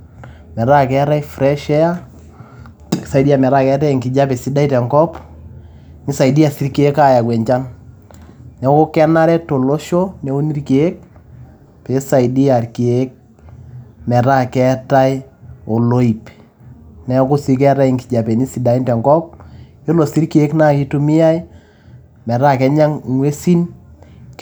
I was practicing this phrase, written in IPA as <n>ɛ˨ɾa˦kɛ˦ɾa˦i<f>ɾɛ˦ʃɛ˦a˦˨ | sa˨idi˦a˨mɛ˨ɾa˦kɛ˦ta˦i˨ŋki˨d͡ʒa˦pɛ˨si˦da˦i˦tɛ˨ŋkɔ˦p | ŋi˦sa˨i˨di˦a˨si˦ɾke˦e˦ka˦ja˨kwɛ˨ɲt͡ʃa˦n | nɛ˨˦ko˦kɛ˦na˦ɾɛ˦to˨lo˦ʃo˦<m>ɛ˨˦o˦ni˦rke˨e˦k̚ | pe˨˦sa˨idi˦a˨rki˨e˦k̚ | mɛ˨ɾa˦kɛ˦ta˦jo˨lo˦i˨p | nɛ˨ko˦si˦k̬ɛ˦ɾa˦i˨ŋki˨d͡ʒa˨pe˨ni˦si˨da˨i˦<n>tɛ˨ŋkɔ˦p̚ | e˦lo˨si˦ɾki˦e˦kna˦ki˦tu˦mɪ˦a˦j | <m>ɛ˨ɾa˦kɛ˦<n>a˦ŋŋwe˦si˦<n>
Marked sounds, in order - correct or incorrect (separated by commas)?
incorrect, correct, incorrect, correct, correct, incorrect, correct